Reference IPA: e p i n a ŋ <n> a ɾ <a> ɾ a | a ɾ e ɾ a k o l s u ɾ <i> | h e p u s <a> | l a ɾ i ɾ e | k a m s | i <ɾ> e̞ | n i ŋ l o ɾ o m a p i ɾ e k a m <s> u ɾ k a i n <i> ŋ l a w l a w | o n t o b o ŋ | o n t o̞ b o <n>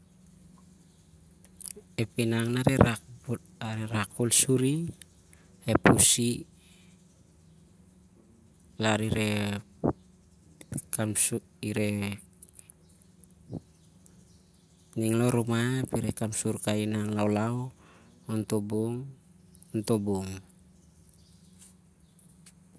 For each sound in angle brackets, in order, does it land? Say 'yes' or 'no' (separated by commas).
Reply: yes, no, yes, no, yes, yes, no, no